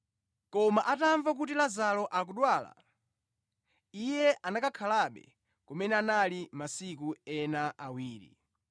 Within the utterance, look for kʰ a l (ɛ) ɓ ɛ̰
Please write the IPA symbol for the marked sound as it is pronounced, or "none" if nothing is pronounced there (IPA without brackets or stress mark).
a